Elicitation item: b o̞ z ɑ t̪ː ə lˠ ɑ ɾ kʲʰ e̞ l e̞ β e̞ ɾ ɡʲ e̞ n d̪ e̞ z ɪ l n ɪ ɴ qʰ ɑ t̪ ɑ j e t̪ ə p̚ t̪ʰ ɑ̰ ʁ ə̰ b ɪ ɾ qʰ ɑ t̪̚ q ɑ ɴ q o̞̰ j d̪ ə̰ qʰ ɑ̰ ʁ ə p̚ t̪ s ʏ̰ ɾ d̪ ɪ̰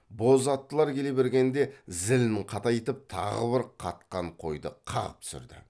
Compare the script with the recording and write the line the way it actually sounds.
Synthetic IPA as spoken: b o̞ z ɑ t̪ː ə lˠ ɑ ɾ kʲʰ e̞ l e̞ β e̞ ɾ ɡʲ e̞ n d̪ e̞ z ɪ l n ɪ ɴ qʰ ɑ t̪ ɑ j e t̪ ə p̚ t̪ʰ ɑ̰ ʁ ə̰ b ɪ ɾ qʰ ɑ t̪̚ q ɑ ɴ qʰ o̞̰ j d̪ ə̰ qʰ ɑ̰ ʁ ə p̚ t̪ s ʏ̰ ɾ d̪ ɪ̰